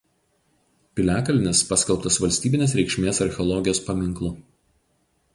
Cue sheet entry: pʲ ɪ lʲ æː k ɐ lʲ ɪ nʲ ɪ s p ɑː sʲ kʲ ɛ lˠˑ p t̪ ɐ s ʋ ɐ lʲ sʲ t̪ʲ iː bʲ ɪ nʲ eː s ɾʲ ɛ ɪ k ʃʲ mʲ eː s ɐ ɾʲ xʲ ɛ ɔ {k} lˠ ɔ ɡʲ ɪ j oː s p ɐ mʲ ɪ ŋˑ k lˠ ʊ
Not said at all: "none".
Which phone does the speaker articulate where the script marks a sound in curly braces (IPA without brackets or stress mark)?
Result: none